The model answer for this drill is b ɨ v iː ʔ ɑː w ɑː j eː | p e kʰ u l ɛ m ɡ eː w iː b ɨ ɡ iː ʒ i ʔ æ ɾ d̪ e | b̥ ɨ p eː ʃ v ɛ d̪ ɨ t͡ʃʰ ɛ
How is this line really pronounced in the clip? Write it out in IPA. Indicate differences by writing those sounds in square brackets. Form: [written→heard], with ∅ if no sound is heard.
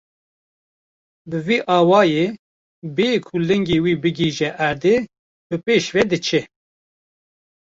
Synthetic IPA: b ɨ v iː ʔ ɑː w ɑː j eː | [p→b] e kʰ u l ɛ [m→ŋ] ɡ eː w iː b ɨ ɡ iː ʒ [i→ɛ] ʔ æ ɾ d̪ e | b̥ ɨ p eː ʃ v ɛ d̪ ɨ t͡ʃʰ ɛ